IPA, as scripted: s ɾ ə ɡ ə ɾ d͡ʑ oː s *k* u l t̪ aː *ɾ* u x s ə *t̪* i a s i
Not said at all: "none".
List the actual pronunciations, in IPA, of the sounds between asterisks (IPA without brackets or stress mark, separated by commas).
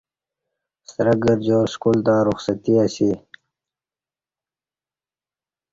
k, ɾ, t̪